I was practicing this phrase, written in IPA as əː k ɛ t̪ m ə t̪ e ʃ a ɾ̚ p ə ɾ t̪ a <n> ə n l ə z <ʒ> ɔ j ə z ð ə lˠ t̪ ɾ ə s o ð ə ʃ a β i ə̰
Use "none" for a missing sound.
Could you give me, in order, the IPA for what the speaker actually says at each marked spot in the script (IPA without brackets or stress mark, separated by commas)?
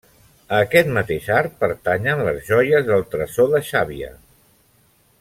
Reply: ɲ, ʒ